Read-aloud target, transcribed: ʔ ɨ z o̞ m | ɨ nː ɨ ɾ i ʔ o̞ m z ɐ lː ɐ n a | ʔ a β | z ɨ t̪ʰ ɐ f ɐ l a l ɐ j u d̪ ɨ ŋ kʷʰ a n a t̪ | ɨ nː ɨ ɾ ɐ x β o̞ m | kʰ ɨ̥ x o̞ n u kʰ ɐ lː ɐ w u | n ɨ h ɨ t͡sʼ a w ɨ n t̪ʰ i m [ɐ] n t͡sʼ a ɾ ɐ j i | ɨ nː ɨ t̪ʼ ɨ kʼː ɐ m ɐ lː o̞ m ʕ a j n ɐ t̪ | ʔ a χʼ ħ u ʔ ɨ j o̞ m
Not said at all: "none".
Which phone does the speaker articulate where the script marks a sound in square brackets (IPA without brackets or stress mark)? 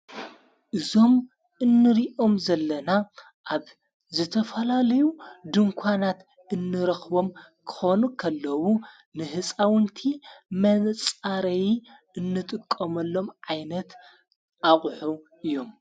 ɐ